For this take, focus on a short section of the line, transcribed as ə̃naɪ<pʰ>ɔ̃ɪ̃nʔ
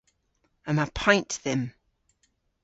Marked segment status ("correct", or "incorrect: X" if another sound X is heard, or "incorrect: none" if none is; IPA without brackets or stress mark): correct